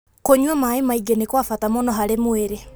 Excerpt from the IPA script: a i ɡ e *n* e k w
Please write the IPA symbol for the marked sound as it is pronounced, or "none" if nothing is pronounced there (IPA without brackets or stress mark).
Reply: n